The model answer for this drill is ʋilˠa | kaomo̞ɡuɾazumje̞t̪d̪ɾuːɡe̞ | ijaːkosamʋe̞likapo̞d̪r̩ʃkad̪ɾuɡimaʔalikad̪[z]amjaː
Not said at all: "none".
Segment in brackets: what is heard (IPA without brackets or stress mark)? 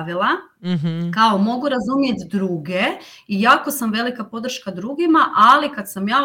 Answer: s